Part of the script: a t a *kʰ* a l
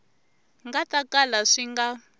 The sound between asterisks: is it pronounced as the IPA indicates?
no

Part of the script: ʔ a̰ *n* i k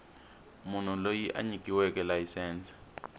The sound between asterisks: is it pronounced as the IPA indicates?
no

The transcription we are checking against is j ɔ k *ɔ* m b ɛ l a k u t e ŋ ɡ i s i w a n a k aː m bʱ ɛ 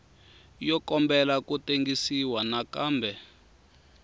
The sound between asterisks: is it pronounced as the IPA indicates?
yes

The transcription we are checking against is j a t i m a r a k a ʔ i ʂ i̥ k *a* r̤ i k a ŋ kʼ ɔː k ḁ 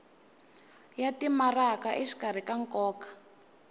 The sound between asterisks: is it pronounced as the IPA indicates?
yes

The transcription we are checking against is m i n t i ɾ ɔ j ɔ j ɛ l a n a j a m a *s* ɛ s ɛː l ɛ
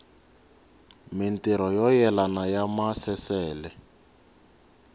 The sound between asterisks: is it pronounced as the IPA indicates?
yes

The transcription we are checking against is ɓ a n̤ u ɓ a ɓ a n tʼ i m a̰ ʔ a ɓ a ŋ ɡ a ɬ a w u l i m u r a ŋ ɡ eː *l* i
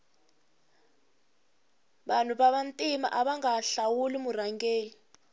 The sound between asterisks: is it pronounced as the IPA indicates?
yes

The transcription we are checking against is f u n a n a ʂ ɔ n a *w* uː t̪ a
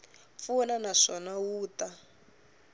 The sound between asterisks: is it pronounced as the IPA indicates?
yes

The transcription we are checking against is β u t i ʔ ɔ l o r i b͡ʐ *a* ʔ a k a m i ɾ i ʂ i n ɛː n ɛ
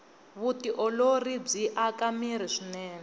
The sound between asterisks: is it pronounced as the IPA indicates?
no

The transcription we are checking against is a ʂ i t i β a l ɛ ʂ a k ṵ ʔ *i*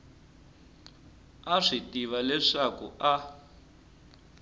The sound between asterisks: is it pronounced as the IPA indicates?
no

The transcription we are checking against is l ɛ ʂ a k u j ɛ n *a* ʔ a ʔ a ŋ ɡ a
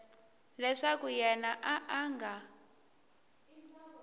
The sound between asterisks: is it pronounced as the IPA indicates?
yes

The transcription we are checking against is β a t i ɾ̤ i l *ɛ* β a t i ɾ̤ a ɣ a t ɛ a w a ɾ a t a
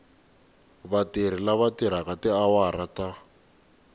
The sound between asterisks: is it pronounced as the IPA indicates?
no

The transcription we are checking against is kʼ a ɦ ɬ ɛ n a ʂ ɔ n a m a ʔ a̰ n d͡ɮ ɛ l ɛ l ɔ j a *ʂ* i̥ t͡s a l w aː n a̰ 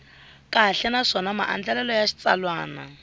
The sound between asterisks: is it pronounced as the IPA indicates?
no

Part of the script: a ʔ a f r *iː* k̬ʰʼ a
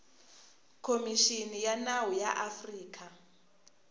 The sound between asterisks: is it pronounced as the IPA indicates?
yes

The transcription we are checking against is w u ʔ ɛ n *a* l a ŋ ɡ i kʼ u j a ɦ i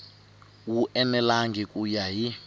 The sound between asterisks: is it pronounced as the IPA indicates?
no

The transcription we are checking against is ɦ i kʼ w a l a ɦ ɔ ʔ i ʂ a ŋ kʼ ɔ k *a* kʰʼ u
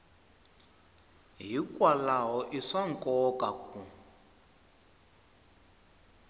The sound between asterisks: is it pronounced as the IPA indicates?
yes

